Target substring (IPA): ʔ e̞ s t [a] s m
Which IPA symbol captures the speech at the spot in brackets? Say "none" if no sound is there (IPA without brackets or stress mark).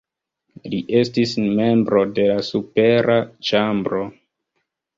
i